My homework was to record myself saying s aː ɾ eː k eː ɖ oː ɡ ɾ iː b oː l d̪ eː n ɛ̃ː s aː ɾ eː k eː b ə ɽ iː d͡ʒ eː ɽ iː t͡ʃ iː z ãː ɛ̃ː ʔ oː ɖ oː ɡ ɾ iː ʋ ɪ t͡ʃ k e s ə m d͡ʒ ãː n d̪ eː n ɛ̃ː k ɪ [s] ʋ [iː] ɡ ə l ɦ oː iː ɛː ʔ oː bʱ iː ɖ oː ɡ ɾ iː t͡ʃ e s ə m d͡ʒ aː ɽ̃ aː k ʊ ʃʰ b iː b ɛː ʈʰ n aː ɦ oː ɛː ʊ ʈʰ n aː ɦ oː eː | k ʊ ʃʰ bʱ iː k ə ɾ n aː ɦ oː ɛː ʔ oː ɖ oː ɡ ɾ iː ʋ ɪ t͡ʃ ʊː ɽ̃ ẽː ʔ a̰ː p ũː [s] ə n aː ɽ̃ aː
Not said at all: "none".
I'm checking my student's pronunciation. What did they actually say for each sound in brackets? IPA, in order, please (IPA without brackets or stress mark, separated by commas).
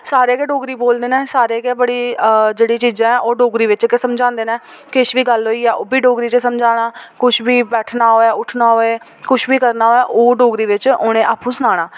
ʃ, iː, s